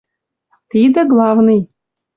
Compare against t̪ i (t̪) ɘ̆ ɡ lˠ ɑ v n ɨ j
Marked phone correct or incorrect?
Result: incorrect